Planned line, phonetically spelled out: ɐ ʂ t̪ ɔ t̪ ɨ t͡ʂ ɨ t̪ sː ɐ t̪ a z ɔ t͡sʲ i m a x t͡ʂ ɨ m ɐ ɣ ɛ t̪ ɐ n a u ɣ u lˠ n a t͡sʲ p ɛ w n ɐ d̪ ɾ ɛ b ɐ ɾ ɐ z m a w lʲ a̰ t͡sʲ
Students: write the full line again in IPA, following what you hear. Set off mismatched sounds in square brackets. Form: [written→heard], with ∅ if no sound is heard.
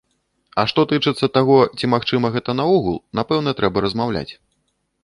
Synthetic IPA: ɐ ʂ t̪ ɔ t̪ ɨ t͡ʂ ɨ t̪ sː ɐ t̪ a [z→ɣ] ɔ t͡sʲ i m a x t͡ʂ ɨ m ɐ ɣ ɛ t̪ ɐ n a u ɣ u lˠ n a [t͡sʲ→∅] p ɛ w n ɐ [d̪→t̪] ɾ ɛ b ɐ ɾ ɐ z m a w lʲ a̰ t͡sʲ